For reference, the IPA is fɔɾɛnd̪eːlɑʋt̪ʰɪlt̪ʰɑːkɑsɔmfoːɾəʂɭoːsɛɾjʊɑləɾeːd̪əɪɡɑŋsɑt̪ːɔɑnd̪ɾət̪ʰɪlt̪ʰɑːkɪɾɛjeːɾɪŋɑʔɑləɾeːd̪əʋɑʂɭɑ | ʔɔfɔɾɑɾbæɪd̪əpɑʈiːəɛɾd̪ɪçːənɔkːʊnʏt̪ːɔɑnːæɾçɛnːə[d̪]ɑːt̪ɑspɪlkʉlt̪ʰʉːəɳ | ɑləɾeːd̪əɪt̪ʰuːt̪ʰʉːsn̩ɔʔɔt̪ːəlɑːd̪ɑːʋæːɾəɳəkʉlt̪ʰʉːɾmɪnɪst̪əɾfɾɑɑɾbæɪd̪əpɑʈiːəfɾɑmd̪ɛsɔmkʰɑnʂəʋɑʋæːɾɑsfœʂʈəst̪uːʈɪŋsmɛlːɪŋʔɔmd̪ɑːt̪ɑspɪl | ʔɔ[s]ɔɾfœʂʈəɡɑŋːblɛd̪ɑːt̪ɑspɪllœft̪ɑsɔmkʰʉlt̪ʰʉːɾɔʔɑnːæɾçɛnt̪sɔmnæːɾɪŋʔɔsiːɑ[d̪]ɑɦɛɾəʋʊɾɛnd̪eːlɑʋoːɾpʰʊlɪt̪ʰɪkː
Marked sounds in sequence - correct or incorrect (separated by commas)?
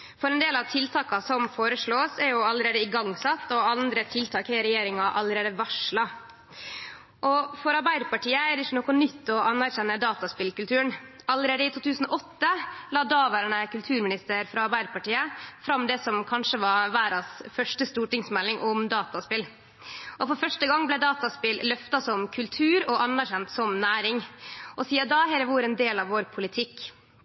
correct, incorrect, correct